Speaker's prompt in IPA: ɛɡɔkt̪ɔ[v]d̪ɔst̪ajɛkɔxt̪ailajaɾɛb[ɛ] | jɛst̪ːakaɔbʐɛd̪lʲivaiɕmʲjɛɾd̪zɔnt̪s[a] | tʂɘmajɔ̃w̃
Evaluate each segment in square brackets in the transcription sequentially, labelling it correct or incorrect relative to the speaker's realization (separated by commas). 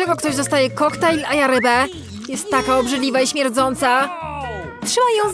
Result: incorrect, correct, correct